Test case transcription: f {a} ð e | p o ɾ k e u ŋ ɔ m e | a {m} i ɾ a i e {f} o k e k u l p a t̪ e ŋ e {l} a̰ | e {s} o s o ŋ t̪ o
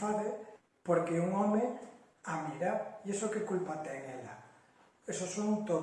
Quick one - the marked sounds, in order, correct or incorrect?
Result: correct, correct, incorrect: s, correct, correct

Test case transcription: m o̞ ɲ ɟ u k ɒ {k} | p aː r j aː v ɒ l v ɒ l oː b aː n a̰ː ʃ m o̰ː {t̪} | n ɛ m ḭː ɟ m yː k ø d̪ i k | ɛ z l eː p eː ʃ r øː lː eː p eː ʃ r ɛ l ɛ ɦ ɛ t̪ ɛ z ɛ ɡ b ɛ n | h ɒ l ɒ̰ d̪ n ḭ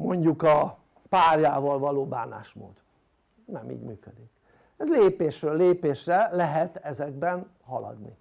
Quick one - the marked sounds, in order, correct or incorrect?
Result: incorrect: none, incorrect: d̪

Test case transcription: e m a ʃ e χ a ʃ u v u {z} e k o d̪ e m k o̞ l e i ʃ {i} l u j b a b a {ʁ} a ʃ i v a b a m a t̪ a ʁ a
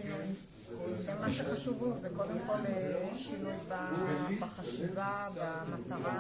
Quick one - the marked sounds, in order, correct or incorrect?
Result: correct, correct, incorrect: χ

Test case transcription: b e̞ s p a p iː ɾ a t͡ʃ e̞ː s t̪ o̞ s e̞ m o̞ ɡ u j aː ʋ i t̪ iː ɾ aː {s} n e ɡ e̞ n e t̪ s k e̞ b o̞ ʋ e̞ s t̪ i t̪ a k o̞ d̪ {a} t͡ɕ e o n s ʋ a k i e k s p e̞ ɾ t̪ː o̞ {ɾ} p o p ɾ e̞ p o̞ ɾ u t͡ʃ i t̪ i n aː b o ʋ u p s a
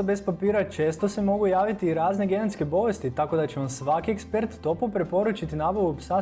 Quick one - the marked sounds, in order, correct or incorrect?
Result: incorrect: z, correct, incorrect: none

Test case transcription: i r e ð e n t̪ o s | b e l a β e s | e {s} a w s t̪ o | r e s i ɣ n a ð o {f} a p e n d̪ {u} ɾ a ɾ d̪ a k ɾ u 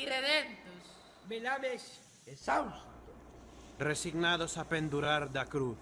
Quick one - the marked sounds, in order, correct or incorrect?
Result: correct, incorrect: s, correct

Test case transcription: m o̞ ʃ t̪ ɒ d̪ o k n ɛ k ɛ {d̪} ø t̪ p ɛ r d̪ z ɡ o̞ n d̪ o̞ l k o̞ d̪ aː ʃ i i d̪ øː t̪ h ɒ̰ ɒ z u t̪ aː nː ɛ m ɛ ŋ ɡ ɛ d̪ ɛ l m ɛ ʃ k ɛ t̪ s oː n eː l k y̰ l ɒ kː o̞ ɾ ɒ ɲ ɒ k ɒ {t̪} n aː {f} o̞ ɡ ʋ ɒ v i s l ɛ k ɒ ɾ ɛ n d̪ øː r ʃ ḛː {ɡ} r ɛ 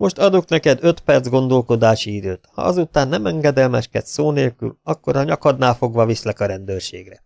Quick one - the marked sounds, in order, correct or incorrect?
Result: correct, incorrect: d̪, correct, correct

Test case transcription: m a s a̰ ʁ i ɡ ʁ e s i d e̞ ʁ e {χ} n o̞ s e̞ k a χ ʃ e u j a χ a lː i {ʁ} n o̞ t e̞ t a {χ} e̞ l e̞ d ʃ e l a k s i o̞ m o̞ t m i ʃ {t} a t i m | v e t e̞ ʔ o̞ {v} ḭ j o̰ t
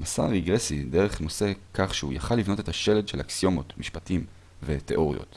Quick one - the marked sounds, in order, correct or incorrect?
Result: correct, incorrect: v, incorrect: ʃ, incorrect: p, incorrect: ʁ

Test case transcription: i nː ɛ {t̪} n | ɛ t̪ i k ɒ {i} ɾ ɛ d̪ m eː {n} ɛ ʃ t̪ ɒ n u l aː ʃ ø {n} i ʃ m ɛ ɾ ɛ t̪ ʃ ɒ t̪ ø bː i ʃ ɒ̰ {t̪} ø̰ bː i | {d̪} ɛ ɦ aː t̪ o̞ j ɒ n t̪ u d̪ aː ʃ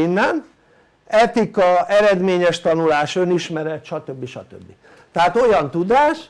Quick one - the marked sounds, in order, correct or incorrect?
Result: incorrect: none, incorrect: ɛ, incorrect: ɲ, correct, correct, incorrect: t̪

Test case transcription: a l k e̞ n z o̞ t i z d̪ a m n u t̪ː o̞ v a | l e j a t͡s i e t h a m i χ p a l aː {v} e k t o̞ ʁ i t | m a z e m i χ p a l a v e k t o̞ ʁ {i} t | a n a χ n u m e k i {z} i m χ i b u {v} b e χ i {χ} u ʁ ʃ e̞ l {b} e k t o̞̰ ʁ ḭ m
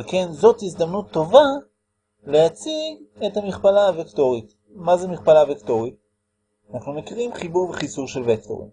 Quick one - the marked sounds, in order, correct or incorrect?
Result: correct, correct, incorrect: ʁ, incorrect: ʁ, incorrect: s, incorrect: v

